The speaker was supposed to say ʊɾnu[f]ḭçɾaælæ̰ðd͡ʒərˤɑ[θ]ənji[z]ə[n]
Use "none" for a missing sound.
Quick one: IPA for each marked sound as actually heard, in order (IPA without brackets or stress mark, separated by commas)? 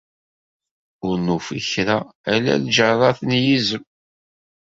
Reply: f, θ, z, m